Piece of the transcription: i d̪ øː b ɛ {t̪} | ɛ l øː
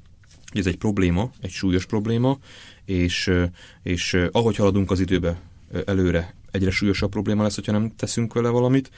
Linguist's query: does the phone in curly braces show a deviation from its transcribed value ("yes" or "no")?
yes